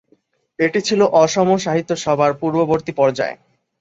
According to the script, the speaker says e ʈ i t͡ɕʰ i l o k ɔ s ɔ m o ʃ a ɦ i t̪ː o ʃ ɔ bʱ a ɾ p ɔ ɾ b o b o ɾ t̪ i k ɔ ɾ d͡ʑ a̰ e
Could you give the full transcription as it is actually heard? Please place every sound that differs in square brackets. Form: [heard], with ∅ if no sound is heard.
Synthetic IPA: e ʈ i t͡ɕʰ i l o [ʔ] ɔ [ʃ] ɔ m o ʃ a ɦ i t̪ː o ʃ ɔ bʱ a ɾ p [u] ɾ b o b o ɾ t̪ i [p] ɔ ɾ d͡ʑ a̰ e